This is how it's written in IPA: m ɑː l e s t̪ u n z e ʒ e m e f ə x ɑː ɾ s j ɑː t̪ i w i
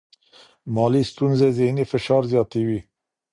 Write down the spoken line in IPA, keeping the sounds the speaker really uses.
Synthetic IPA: m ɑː l i s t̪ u n z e z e n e f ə ʃ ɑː ɾ z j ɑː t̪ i w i